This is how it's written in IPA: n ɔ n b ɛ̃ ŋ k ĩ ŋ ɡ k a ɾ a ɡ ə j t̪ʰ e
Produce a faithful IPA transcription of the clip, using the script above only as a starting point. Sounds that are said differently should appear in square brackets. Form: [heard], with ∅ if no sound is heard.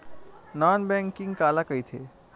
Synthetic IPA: n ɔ n b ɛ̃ ŋ k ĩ ŋ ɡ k a [l] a [k] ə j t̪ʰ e